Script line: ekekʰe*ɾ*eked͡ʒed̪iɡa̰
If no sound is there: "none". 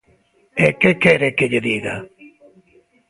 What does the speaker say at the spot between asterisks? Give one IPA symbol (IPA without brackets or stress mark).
ɾ